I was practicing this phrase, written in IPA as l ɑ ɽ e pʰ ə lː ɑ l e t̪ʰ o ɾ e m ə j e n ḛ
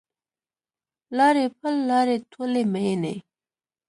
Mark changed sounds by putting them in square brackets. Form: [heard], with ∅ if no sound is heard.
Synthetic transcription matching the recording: l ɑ [ɾ] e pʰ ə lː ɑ [ɾ] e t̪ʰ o [l] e m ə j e n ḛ